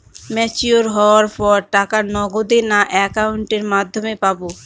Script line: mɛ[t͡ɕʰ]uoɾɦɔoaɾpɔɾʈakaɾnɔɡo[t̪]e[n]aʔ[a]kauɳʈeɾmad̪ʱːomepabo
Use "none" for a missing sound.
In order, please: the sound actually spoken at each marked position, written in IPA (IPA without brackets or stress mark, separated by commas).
t͡ɕ, d̪, n, ɛ